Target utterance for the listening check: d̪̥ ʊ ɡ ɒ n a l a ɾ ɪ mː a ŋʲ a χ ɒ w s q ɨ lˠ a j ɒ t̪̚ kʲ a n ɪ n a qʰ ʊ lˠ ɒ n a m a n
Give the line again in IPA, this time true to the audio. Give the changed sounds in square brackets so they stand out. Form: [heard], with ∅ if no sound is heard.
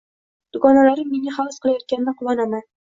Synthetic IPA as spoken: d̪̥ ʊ ɡ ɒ n a l a ɾ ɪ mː [e] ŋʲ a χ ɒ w s q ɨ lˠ a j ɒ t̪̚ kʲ a n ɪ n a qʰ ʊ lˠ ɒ n a m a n